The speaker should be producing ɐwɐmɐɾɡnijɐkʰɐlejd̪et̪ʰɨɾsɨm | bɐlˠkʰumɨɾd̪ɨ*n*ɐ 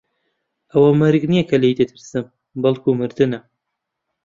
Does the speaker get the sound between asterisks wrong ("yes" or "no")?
no